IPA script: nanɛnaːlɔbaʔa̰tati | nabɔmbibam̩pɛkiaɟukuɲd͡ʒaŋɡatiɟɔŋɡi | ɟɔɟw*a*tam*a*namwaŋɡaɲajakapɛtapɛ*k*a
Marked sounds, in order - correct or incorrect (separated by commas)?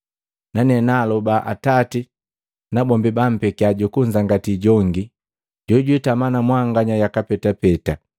incorrect, correct, incorrect